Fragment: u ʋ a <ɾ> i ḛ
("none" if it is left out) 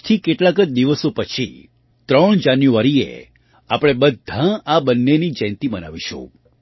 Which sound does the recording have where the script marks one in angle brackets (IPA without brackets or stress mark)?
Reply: ɾ